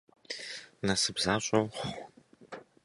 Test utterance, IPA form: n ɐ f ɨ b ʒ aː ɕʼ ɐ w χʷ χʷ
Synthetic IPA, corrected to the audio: n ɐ s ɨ b z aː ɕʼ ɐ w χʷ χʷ